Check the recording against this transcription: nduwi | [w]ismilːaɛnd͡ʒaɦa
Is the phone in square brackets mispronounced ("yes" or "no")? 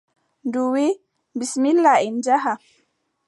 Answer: yes